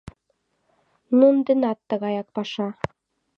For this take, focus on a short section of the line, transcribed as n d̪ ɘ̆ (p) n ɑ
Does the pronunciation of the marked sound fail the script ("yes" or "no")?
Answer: yes